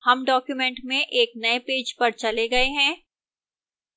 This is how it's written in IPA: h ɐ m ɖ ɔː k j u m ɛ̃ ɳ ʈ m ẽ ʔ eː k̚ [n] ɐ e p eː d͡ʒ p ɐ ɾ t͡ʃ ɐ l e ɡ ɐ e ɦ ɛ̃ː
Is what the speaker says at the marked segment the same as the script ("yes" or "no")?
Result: yes